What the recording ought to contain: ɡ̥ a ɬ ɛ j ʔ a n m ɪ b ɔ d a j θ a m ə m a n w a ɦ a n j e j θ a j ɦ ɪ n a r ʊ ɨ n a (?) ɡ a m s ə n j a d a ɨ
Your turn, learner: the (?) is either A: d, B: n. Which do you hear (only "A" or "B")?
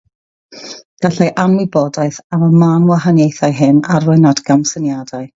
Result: A